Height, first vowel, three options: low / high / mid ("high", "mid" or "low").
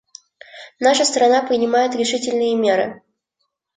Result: low